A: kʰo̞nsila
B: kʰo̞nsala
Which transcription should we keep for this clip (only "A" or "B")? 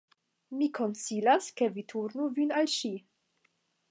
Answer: A